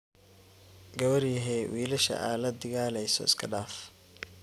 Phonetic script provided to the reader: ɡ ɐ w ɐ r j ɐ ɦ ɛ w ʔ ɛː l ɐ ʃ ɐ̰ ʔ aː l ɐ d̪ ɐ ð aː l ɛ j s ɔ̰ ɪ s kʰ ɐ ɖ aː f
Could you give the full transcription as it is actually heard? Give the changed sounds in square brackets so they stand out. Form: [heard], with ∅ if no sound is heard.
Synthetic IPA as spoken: ɡ ɐ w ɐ r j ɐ ɦ ɛ w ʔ [iː] l ɐ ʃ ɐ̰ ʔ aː l ɐ d̪ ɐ [ɣ] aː l ɛ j s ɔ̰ ɪ s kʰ ɐ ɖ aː f